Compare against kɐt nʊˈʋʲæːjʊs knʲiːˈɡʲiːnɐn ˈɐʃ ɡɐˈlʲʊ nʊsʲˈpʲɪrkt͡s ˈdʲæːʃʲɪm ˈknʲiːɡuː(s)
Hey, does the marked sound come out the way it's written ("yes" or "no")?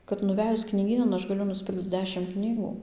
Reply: no